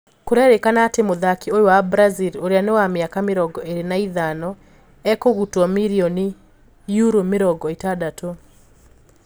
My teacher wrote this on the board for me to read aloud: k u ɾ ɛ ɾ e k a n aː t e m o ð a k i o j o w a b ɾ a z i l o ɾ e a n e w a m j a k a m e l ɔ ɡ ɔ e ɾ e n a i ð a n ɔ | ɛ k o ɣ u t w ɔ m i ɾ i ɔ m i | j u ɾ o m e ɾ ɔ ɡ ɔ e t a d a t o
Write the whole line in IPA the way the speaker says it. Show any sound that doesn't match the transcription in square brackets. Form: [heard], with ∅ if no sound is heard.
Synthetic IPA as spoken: k [o] ɾ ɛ ɾ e k a n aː t e m o ð a k i o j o w a b ɾ a z i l o ɾ e a n e w a m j a k a m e [ɾ] ɔ ɡ ɔ e ɾ e n a i ð a n ɔ | ɛ k o ɣ u t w ɔ m i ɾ i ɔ [n] i | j u ɾ o m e ɾ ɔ ɡ ɔ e t a d a t o